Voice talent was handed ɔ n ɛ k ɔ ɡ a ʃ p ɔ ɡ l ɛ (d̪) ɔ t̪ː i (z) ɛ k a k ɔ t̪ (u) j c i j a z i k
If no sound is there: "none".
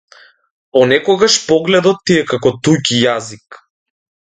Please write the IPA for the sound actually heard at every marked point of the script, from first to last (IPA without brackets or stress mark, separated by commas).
d̪, none, u